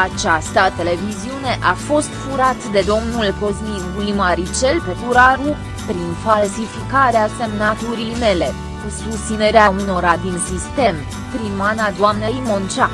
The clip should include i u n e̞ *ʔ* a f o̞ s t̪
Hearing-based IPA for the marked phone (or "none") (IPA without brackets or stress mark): ʔ